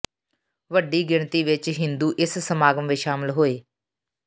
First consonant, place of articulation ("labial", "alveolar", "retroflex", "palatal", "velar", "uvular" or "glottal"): labial